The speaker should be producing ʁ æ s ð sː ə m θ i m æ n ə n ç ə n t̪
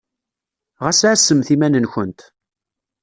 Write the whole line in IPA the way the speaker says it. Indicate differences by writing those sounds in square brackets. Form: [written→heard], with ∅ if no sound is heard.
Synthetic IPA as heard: ʁ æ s [ð→ʕ] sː ə m θ i m æ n ə n ç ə n t̪